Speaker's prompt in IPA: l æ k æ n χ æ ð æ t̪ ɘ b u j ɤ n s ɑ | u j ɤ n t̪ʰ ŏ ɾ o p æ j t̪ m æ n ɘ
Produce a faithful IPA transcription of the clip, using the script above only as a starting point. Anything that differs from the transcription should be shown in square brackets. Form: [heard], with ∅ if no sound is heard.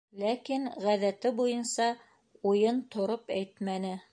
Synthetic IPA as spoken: l æ k [i] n [ʁ] æ ð æ t̪ ɘ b u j ɤ n s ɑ | u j ɤ n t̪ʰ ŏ ɾ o p æ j t̪ m æ n ɘ